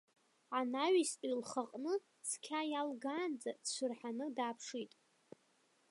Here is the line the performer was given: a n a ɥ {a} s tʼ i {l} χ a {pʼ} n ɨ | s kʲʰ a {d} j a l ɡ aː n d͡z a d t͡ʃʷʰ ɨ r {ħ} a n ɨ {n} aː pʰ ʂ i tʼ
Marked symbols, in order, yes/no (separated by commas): no, yes, no, no, yes, no